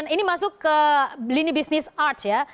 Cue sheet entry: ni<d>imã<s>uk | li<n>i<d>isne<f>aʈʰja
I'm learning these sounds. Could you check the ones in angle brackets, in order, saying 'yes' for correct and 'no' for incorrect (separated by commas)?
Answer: no, yes, yes, no, no